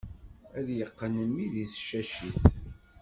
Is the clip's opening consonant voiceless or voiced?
voiced